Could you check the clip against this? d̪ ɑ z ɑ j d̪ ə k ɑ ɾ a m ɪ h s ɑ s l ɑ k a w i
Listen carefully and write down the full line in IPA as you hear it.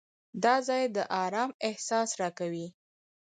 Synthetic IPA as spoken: d̪ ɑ z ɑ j d̪ ə ʔ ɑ ɾ ɑ m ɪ h s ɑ s ɾ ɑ k a w i